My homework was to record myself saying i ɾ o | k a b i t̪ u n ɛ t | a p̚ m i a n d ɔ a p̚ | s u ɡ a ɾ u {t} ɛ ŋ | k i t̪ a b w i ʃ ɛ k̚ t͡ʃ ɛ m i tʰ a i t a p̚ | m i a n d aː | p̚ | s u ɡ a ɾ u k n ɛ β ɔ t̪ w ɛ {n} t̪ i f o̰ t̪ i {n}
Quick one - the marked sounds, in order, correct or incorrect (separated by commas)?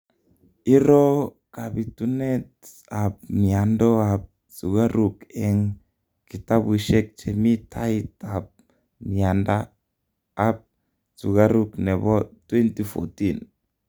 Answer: incorrect, correct, correct